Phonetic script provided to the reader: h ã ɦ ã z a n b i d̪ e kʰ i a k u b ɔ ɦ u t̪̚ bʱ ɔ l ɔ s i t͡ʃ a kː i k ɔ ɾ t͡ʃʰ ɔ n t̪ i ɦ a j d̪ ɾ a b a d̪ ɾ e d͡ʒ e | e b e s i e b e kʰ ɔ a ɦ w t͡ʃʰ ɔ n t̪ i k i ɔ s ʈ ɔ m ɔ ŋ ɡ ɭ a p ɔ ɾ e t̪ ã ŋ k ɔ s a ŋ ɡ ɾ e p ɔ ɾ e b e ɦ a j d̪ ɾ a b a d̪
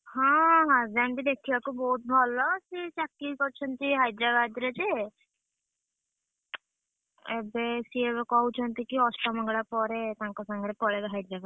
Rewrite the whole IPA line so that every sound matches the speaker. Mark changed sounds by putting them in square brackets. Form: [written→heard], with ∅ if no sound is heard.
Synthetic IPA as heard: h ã ɦ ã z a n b i d̪ e kʰ i a k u b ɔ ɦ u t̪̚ bʱ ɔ l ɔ s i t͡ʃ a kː i k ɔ ɾ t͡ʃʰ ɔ n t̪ i ɦ a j d̪ ɾ a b a d̪ ɾ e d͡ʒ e | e b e s i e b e [kʰ→k] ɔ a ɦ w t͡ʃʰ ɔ n t̪ i k i ɔ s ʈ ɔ m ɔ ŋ ɡ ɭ a p ɔ ɾ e t̪ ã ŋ k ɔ s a ŋ ɡ ɾ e p ɔ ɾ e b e ɦ a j d̪ ɾ a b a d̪